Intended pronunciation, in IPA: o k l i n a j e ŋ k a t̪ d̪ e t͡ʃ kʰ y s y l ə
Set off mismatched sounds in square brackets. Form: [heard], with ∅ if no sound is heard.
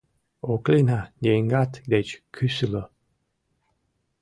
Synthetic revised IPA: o k l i n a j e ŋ [ɡ] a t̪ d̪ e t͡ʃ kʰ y s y l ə